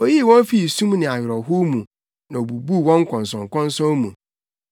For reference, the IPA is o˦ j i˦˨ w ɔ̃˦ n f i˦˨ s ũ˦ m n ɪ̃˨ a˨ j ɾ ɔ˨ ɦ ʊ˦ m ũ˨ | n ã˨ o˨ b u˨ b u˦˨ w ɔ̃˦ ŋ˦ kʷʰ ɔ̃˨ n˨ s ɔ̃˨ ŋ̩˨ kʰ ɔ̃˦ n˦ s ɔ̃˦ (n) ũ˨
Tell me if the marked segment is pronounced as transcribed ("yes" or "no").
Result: no